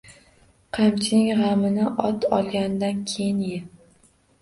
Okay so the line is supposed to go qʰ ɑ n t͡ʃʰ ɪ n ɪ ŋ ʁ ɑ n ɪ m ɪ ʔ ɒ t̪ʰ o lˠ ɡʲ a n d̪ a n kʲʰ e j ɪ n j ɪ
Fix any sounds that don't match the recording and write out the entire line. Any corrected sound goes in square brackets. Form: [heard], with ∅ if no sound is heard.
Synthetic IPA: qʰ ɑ [m] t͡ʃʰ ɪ n ɪ ŋ ʁ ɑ [m] ɪ [n] ɪ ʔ ɒ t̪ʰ [ɒ] lˠ ɡʲ a n d̪ a n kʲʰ e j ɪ n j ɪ